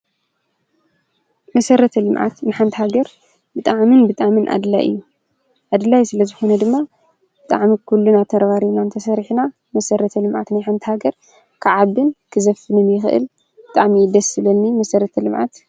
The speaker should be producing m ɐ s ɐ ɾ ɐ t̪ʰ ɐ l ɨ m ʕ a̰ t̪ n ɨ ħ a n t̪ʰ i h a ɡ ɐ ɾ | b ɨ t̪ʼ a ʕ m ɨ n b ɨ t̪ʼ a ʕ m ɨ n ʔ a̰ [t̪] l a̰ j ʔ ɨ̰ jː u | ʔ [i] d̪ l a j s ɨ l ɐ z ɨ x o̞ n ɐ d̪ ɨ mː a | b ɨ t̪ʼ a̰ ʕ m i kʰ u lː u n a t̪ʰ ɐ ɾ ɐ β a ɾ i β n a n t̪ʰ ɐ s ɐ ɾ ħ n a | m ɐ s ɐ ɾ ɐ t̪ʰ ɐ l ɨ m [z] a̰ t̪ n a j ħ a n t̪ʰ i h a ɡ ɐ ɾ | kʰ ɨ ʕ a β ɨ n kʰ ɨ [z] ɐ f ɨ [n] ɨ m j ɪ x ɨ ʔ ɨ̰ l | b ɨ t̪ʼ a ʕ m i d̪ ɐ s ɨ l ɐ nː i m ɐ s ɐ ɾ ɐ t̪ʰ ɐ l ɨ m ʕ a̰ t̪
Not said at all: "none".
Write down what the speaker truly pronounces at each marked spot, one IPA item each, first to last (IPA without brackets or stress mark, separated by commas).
d̪, a, ʕ, z, n